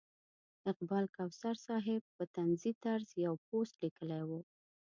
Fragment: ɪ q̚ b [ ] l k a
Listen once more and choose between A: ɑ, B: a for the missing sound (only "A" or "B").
A